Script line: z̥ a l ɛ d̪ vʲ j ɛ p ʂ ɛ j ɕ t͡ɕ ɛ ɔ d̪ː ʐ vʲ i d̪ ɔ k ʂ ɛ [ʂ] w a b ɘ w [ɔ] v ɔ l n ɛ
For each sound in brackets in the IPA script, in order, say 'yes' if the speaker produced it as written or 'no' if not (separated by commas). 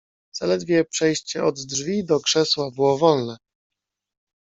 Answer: no, yes